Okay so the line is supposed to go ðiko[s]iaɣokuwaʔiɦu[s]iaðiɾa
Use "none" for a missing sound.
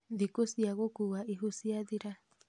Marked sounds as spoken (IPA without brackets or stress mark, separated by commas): s, s